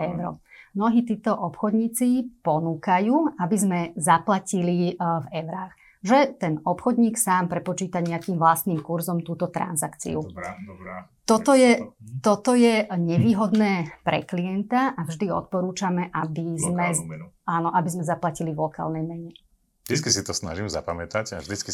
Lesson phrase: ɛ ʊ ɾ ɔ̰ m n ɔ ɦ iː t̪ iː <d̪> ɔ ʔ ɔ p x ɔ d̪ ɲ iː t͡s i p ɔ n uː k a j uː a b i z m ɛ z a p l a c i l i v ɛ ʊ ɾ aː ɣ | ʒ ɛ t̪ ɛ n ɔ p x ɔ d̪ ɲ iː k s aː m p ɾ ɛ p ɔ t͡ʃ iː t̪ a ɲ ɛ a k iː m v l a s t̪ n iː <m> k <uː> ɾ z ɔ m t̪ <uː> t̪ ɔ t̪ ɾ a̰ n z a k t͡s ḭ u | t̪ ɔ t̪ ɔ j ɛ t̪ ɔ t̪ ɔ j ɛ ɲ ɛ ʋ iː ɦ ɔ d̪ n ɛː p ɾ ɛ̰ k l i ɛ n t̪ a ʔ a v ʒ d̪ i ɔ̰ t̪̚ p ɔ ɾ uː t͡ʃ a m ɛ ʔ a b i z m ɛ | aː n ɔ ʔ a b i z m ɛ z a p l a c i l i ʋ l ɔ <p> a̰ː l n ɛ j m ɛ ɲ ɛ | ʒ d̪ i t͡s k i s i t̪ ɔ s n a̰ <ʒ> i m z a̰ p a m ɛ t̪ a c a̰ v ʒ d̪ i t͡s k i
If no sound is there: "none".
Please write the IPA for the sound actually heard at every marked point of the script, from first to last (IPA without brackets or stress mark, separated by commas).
t̪, m, u, uː, k, ʒ